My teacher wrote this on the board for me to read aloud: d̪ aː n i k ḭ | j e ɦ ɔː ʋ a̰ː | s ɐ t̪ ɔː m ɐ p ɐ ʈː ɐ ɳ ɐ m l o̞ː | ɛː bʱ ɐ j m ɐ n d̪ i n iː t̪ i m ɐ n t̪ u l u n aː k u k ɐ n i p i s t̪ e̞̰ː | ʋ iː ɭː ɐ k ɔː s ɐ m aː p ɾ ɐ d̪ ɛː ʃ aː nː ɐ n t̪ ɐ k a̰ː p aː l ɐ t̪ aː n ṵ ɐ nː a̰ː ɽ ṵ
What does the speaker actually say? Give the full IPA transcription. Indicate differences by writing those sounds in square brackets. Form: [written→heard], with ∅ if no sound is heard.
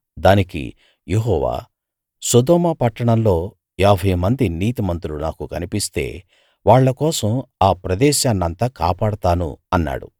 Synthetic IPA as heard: d̪ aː n i k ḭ | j e ɦ ɔː ʋ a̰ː | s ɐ [t̪→d̪] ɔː m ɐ p ɐ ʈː ɐ ɳ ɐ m l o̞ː | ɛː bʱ ɐ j m ɐ n d̪ i n iː t̪ i m ɐ n t̪ u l u n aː k u k ɐ n i p i s t̪ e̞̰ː | ʋ [iː→aː] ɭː ɐ k ɔː s ɐ m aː p ɾ ɐ d̪ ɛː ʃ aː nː ɐ n t̪ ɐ k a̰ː p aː [l→ɽ] ɐ t̪ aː n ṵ ɐ nː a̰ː ɽ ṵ